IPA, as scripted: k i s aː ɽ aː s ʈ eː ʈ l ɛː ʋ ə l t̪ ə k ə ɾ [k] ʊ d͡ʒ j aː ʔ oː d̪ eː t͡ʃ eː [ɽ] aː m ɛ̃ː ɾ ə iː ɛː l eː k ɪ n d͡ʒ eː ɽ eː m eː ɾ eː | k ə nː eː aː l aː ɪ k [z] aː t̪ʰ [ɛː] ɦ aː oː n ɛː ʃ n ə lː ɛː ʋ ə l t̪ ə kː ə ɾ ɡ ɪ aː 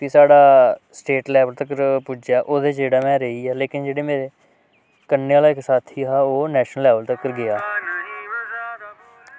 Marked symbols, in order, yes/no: no, yes, no, no

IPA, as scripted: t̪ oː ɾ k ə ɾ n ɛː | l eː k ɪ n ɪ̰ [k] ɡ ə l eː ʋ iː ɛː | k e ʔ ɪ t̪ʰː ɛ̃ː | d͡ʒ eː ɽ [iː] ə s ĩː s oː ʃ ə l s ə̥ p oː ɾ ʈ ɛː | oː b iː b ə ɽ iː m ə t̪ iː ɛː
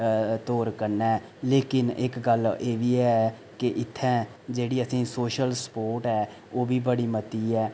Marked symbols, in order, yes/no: yes, yes

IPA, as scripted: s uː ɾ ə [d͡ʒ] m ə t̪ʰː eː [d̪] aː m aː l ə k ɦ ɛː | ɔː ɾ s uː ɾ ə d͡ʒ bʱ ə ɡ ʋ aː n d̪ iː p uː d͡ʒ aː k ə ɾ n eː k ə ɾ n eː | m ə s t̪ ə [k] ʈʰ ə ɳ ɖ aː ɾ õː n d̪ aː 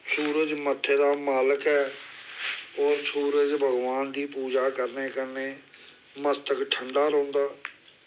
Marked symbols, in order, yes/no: yes, yes, yes

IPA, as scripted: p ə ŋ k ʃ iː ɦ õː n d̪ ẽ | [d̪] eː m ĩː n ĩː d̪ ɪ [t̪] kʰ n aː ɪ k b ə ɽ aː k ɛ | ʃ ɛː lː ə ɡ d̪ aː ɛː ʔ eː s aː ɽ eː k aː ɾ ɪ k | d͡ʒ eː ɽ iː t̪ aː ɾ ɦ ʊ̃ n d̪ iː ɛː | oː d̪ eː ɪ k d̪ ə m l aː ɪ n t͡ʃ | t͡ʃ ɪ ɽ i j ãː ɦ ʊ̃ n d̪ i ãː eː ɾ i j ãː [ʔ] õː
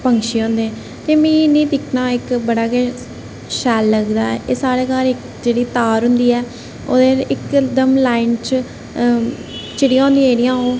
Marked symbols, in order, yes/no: no, no, no

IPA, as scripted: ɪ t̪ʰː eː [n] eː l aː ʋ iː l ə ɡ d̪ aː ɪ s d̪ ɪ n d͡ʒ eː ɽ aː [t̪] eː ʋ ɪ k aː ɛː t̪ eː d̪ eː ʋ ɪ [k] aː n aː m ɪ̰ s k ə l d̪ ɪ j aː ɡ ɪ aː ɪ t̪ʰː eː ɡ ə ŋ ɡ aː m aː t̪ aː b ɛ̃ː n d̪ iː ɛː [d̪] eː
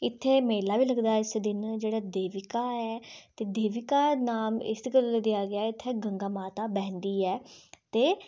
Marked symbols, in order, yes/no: no, no, yes, no

